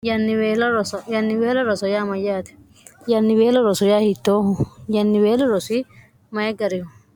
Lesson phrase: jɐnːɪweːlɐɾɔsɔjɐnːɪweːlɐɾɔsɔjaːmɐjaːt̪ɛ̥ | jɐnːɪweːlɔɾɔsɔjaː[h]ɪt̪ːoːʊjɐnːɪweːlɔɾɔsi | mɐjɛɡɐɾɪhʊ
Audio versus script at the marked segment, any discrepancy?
no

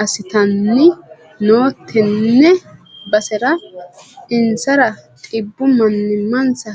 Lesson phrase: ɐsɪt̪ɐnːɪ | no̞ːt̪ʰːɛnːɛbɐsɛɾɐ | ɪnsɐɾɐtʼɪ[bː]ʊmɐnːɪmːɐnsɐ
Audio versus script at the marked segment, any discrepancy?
no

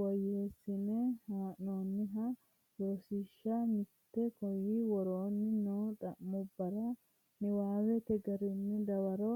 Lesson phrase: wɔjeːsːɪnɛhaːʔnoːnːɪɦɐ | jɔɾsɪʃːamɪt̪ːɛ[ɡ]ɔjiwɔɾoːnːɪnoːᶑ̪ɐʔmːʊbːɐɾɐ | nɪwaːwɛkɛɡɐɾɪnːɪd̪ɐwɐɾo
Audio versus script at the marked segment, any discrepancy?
yes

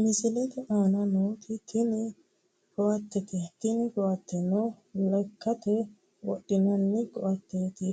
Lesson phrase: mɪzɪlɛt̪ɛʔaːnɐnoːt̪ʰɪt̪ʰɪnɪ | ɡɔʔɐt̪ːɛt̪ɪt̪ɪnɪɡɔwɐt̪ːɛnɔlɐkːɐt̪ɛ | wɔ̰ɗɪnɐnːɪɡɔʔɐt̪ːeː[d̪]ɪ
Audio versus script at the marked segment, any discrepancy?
yes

